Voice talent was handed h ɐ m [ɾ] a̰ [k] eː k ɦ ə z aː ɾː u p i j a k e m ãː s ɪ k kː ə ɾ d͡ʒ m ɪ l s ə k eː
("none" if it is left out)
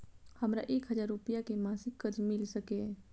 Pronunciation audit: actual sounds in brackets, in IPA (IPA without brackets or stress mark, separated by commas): ɾ, ʔ